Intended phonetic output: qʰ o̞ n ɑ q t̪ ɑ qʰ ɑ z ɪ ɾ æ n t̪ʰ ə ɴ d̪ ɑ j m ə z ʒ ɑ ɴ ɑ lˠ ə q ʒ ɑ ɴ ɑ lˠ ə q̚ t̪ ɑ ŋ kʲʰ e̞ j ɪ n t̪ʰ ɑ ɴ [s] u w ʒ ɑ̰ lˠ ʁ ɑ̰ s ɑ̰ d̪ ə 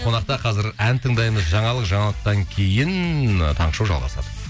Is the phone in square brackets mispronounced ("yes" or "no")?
yes